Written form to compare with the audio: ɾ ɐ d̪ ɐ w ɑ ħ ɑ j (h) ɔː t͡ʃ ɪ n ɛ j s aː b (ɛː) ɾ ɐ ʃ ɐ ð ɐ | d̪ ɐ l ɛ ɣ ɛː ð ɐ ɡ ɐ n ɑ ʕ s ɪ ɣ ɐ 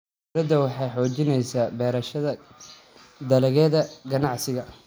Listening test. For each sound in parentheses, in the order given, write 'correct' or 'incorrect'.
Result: incorrect, correct

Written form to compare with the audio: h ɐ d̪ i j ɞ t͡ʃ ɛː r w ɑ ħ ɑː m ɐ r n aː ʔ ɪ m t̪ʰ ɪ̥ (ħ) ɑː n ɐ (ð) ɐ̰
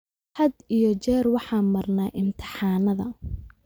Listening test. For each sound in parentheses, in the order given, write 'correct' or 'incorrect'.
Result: correct, correct

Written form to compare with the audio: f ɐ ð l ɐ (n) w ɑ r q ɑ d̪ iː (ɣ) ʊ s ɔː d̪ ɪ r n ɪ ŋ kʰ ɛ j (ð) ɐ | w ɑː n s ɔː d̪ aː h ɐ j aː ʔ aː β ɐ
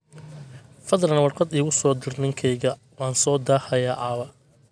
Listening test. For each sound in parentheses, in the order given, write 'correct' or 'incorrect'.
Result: correct, correct, incorrect

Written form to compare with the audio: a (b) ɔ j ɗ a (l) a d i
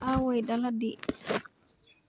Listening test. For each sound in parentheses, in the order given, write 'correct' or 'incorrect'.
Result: incorrect, correct

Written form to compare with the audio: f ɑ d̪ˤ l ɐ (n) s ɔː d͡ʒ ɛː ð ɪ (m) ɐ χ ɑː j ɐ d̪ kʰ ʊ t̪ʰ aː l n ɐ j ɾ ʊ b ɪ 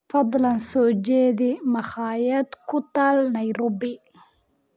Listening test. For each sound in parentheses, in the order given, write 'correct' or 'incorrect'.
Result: correct, correct

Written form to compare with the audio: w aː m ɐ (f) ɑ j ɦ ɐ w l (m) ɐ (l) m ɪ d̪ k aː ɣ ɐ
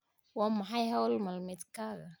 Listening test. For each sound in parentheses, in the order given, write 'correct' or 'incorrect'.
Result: incorrect, correct, correct

